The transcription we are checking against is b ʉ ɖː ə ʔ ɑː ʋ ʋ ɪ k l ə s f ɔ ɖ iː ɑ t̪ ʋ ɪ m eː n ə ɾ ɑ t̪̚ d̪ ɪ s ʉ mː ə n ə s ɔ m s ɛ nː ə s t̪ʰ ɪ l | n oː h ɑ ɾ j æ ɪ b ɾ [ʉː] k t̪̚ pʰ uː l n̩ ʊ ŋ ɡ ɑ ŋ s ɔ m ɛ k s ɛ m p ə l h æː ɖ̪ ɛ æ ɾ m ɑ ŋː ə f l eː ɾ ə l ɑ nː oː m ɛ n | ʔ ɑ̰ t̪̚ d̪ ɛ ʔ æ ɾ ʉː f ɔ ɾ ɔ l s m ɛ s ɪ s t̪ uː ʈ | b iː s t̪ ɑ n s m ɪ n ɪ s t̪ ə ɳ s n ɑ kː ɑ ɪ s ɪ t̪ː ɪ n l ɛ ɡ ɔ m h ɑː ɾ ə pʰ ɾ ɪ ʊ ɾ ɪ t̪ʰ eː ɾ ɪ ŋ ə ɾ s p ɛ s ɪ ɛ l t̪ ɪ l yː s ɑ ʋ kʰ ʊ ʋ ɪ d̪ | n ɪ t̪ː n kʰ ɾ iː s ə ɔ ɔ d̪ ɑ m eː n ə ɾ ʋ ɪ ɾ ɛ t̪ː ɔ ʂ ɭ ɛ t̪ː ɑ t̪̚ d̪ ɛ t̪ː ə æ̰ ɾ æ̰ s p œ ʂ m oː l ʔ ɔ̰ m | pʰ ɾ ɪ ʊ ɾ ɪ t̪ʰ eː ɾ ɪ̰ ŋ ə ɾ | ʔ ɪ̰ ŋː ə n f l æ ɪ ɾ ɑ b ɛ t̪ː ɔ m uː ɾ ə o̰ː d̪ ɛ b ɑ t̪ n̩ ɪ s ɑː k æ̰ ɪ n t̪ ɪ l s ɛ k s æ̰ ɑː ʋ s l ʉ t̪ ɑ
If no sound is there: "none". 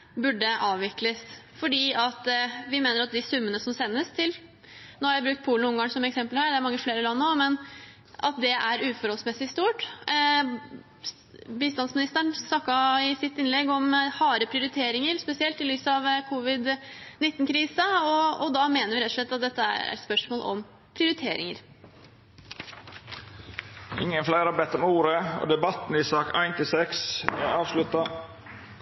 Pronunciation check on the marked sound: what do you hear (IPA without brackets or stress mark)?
ʉ